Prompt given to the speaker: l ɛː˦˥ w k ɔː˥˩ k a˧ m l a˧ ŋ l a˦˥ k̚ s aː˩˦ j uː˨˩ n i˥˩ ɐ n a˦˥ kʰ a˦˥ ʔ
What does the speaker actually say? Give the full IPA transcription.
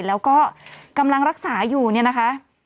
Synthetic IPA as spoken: l ɛː˦˥ w k ɔː˥˩ k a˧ m l a˧ ŋ ɾ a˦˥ k̚ s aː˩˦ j uː˨˩ n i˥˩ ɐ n a˦˥ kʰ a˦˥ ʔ

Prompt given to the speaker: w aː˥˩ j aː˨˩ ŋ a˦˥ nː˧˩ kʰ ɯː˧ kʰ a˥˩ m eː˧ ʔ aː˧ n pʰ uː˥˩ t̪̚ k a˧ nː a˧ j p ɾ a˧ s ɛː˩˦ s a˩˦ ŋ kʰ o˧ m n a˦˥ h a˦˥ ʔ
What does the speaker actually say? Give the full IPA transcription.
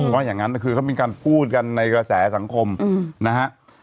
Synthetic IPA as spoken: w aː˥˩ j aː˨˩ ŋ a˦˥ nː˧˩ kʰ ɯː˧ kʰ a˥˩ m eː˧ k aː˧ n pʰ uː˥˩ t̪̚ k a˧ nː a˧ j k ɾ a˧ s ɛː˩˦ s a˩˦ ŋ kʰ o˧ m n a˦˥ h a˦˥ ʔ

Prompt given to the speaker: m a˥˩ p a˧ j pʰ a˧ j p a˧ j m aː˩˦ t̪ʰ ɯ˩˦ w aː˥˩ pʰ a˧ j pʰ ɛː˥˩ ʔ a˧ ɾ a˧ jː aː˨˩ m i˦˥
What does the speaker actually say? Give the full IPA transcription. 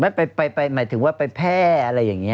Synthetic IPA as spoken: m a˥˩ p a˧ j p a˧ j p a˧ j m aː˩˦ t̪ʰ ɯ˩˦ w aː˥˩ p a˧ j pʰ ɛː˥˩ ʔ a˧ ɾ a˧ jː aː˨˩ ŋ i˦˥

